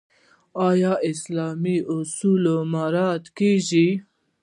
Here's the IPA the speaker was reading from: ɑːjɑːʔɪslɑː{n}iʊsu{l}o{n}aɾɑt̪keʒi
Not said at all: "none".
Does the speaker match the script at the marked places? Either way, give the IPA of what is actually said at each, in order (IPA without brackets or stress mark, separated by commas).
m, l, m